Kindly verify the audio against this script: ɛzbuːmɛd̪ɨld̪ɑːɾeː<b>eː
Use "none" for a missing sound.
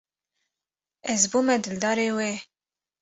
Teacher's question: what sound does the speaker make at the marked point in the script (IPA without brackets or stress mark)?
w